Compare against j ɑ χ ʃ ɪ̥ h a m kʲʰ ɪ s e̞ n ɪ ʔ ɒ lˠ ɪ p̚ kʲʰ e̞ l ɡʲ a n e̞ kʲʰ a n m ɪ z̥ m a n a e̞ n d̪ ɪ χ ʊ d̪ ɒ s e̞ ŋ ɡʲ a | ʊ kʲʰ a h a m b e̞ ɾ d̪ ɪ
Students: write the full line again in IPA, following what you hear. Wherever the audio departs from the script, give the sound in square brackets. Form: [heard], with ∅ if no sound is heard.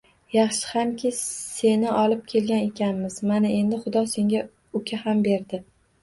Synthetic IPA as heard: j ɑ χ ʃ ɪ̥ h a m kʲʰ ɪ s e̞ n ɪ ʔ ɒ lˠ ɪ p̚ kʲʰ e̞ l ɡʲ a n e̞ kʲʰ a n m ɪ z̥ m a n a e̞ n d̪ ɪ χ ʊ d̪ ɒ s e̞ ŋ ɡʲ a | ʊ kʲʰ a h a m b e̞ ɾ d̪ ɪ